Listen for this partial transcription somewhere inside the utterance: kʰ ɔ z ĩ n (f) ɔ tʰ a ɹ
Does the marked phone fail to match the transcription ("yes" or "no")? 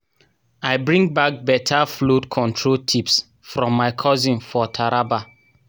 no